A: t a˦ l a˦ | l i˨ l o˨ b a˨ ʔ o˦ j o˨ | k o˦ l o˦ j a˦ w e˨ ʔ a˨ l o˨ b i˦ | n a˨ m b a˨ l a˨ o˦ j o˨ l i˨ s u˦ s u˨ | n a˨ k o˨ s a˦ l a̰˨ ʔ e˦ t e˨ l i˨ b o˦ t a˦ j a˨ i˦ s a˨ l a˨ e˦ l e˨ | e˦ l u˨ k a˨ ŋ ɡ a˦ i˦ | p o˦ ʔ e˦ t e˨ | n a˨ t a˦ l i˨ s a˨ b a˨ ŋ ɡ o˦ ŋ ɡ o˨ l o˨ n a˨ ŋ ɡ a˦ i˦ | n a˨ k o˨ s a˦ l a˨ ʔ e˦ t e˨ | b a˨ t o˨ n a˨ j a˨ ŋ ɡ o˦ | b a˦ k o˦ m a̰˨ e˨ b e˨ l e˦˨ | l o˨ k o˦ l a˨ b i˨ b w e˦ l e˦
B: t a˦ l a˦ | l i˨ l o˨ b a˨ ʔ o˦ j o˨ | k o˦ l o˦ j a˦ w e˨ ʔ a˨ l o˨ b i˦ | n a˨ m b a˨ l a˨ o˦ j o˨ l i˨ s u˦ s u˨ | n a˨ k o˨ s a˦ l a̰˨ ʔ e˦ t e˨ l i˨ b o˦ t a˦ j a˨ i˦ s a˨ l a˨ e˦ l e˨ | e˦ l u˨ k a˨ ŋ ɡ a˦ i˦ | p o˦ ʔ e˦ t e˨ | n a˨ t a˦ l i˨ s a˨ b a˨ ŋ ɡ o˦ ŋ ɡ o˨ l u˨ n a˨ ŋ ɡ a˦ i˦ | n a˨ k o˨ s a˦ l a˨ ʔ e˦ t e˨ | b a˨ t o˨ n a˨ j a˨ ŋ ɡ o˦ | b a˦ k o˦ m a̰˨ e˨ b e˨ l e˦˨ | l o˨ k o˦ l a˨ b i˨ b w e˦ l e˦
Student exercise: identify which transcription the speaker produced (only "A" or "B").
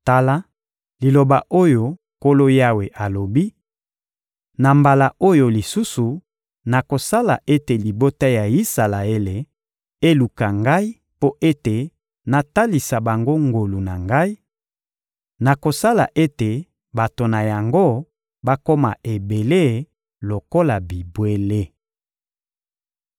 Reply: B